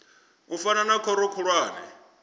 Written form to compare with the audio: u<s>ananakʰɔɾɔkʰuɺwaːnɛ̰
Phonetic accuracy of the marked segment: incorrect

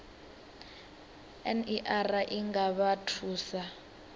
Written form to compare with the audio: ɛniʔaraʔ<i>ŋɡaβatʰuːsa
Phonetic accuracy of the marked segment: correct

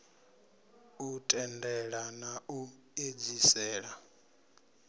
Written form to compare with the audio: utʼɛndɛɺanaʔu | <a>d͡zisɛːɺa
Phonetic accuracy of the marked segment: incorrect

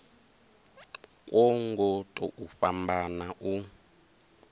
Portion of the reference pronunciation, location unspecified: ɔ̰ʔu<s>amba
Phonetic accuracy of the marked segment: incorrect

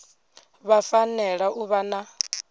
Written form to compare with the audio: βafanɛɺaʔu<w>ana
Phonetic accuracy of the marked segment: incorrect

